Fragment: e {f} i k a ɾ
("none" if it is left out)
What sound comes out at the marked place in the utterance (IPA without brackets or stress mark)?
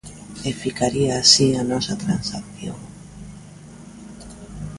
f